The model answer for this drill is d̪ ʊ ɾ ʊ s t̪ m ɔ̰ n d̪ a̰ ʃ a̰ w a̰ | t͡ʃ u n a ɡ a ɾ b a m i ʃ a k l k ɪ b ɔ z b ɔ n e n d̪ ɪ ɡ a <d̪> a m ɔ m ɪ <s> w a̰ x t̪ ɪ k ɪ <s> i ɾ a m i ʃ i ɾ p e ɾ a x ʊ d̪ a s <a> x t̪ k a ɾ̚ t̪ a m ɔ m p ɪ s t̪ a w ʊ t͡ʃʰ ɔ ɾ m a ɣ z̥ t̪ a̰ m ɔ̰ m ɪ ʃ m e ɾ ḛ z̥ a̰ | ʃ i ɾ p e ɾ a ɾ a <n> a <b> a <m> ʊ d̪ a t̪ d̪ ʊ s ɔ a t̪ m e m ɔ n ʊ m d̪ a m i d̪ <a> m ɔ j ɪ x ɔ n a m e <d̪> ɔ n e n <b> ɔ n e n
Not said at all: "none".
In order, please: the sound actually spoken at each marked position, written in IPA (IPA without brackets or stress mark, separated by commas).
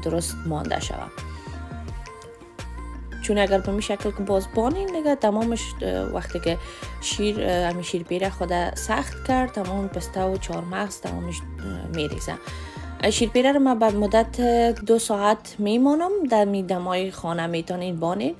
t̪, ʃ, ʃ, a, m, b, m, a, t̪, b